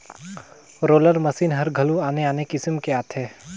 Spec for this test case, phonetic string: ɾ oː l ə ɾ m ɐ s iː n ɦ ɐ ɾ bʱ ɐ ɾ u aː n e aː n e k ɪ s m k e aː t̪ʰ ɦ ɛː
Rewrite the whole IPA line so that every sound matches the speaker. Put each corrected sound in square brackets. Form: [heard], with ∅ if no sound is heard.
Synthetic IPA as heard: ɾ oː l ə ɾ m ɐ s iː n ɦ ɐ ɾ [ɡʱ] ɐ [l] u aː n e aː n e k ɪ s m k e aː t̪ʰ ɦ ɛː